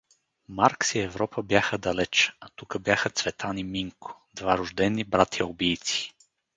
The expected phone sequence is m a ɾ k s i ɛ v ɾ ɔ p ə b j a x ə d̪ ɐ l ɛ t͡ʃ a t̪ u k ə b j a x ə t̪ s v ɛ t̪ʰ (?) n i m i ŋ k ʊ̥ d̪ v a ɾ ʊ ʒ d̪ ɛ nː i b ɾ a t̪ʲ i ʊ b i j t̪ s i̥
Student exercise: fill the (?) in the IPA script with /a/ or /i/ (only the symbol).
a